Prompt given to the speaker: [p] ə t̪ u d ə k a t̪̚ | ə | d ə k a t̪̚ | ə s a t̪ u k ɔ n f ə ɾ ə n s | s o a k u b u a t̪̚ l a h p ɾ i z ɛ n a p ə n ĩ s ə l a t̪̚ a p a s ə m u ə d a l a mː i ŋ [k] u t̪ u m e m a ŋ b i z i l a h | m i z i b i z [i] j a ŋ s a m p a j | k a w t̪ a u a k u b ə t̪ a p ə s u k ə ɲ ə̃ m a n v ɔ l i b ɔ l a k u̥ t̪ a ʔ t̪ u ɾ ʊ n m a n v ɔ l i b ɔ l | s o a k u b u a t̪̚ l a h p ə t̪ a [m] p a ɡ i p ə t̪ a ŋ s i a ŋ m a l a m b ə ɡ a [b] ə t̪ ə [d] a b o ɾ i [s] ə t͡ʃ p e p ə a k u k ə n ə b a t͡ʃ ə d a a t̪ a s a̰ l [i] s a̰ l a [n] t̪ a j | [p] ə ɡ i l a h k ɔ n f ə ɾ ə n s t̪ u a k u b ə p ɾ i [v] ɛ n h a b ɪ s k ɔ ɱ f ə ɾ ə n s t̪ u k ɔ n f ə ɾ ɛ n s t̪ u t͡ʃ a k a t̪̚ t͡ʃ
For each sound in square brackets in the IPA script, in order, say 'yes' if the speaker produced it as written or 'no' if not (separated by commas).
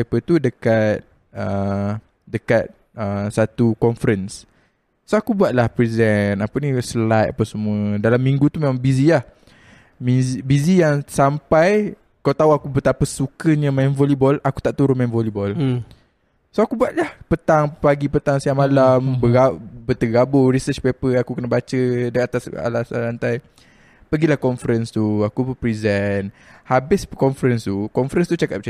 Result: yes, no, yes, no, yes, no, yes, no, yes, yes, no